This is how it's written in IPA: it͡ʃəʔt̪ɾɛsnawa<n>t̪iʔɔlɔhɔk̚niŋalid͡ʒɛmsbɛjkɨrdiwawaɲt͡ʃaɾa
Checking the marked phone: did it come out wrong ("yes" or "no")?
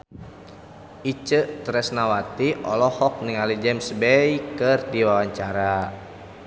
yes